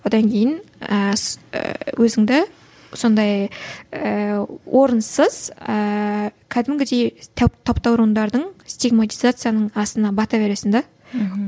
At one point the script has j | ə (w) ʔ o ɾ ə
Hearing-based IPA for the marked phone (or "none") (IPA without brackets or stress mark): w